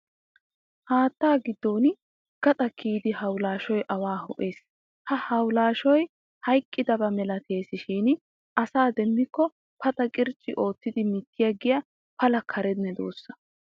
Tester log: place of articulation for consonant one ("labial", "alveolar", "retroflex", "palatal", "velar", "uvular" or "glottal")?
glottal